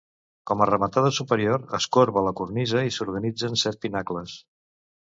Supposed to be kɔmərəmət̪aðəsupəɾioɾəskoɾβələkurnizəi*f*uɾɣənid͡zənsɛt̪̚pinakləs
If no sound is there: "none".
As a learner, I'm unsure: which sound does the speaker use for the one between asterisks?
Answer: s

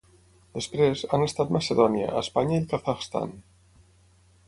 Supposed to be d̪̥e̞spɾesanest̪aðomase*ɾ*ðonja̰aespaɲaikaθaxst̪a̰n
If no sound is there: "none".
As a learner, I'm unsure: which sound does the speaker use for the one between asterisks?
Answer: none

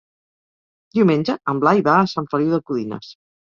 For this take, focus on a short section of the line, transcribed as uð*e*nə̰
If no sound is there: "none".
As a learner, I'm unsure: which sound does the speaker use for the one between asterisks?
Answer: i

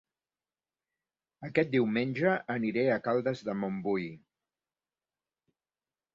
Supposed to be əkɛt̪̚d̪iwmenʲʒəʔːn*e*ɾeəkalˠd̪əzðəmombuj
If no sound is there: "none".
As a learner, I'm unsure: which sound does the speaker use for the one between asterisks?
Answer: i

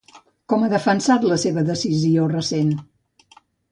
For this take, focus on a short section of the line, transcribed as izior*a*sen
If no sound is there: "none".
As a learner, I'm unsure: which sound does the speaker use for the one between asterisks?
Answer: ə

